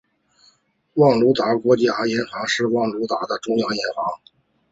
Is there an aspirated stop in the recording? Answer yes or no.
no